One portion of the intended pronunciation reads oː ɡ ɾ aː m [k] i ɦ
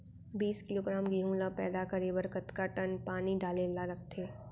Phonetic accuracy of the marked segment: incorrect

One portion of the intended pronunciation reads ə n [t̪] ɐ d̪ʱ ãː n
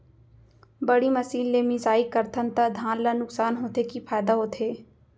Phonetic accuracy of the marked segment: correct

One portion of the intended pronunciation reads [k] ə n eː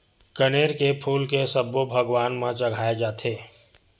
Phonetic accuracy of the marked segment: correct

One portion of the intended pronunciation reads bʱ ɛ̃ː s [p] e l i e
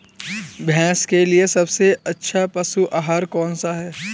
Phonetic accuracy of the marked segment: incorrect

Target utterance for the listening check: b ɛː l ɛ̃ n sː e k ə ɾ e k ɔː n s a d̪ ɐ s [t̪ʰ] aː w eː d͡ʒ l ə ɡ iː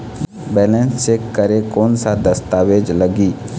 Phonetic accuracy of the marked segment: incorrect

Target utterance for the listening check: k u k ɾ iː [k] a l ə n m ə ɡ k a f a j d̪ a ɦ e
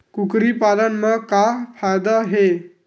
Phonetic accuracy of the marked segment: incorrect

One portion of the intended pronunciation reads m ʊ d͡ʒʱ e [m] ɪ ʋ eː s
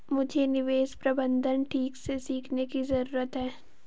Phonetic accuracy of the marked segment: incorrect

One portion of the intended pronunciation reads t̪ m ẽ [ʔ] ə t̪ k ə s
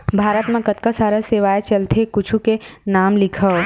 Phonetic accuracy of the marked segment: incorrect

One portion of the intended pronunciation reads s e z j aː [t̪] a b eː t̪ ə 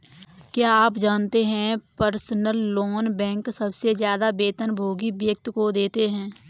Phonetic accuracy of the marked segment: incorrect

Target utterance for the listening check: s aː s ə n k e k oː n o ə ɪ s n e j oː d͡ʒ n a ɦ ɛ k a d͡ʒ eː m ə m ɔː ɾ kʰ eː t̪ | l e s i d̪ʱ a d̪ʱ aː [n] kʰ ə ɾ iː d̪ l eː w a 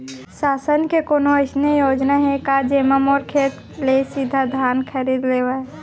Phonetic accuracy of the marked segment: correct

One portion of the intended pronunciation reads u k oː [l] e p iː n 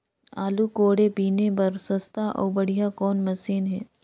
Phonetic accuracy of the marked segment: incorrect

